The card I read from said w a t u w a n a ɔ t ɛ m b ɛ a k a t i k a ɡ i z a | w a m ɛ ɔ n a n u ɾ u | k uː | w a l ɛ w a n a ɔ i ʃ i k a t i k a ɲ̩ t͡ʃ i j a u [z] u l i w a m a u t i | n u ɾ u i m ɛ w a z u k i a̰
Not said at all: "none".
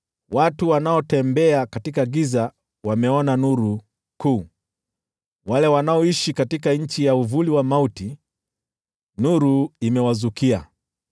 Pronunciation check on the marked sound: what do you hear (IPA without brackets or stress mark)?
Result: v